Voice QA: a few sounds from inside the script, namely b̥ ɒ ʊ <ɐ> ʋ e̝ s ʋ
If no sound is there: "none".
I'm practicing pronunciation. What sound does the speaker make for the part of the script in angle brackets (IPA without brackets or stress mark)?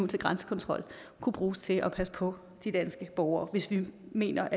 ɐː